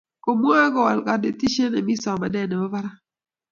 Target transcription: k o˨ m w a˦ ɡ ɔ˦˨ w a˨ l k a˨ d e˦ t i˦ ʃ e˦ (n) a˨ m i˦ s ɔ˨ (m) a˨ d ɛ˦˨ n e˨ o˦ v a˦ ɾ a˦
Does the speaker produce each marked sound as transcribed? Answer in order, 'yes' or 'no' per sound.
yes, yes

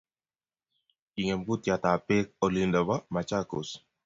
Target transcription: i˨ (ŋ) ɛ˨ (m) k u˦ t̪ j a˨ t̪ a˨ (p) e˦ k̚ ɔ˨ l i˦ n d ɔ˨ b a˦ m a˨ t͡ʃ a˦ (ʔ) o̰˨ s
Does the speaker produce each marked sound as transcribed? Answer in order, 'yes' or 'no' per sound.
yes, yes, yes, no

